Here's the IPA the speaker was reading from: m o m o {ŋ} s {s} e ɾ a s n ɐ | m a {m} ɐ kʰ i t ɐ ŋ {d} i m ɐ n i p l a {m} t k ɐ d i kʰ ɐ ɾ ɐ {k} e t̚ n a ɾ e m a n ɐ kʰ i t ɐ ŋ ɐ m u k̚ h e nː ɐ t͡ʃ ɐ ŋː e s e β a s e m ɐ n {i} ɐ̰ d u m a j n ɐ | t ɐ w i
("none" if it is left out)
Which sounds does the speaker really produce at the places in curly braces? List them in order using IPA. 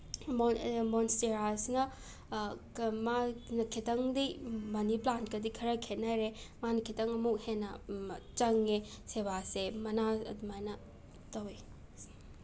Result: n, t, n, d, n, kʰ, a

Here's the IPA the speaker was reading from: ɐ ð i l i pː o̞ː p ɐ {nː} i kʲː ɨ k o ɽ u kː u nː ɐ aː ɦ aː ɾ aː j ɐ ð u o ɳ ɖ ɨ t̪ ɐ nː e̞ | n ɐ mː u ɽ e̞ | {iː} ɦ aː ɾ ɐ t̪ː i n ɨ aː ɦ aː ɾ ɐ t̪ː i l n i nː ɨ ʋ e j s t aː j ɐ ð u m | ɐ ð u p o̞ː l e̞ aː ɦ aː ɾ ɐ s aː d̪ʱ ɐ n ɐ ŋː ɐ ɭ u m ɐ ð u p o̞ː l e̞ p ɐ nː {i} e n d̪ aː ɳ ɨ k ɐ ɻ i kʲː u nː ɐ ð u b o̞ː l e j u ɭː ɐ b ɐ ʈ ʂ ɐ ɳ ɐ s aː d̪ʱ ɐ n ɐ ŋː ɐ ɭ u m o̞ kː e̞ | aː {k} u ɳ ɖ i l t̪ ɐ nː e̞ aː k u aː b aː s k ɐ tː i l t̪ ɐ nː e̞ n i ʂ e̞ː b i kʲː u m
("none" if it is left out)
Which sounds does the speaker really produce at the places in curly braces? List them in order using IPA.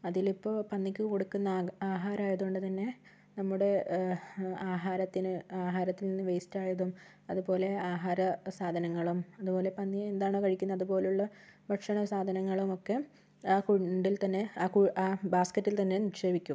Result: nː, aː, i, k

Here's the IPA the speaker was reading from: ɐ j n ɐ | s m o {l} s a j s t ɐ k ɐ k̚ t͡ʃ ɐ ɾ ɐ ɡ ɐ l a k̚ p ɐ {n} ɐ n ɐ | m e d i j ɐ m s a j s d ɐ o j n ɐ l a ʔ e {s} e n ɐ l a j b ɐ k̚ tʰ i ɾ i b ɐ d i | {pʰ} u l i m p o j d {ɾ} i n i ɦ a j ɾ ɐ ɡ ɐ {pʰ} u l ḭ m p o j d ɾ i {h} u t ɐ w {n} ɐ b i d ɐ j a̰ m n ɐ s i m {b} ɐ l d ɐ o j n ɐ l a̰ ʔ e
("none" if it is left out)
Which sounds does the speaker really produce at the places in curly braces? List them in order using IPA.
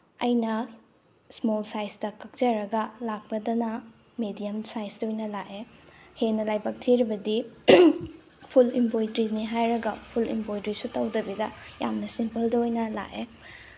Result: l, d, h, pʰ, ɾ, pʰ, s, d, p

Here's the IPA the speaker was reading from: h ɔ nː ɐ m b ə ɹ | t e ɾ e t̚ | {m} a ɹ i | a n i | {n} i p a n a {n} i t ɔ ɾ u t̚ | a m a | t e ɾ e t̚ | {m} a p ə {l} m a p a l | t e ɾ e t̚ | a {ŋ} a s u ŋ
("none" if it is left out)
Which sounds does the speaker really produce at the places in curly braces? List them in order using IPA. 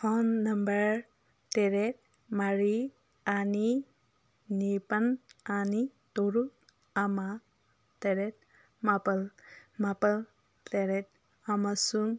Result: m, n, n, m, l, m

